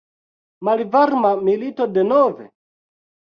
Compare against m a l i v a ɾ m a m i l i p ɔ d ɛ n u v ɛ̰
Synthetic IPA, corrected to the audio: m a l i v a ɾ m a m i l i t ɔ d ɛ n ɔ v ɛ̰